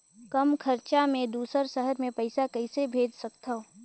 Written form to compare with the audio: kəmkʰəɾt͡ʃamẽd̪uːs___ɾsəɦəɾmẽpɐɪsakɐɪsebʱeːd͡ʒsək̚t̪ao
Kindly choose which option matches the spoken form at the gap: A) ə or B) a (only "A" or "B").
A